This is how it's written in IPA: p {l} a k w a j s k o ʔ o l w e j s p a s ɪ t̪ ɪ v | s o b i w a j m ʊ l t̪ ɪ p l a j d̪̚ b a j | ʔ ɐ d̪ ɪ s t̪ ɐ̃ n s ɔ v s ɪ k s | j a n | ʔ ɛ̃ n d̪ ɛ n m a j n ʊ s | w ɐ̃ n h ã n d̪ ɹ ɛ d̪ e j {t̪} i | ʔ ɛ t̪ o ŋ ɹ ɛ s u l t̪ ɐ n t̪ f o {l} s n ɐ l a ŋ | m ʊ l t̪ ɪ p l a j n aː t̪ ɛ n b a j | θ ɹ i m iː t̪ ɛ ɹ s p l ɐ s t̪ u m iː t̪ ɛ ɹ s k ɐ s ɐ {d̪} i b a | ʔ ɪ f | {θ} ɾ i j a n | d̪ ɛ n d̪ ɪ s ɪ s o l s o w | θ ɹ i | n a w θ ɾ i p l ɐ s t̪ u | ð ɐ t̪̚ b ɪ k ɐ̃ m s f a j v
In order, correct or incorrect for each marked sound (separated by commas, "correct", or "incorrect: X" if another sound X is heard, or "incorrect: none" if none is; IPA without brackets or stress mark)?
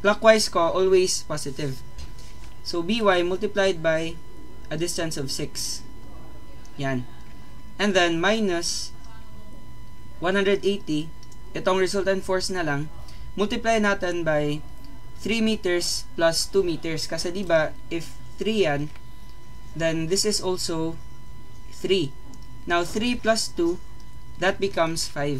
correct, correct, incorrect: ɹ, correct, correct